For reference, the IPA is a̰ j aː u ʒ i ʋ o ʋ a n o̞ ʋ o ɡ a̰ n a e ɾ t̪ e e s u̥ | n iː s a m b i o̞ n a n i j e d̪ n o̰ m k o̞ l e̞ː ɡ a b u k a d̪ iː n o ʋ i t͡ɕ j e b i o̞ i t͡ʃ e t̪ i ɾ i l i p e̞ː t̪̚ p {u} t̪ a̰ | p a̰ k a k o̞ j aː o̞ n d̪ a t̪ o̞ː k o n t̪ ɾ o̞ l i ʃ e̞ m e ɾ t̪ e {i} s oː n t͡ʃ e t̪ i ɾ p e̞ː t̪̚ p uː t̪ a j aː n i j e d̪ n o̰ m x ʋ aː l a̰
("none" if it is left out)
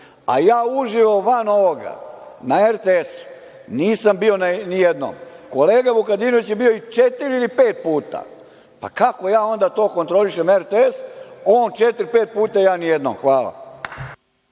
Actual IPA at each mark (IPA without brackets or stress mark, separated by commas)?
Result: uː, e